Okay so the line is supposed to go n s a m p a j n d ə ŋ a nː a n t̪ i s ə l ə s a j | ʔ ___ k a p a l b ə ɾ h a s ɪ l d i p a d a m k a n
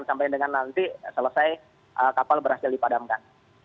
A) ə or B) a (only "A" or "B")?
A